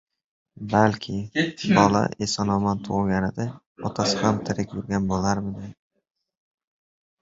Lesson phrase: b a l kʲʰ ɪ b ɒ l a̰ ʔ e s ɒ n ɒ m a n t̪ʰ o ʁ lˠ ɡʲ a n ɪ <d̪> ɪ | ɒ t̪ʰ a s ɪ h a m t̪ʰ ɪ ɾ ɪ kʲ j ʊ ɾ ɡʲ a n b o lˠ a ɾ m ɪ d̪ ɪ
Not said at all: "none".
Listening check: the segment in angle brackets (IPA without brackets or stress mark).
d̪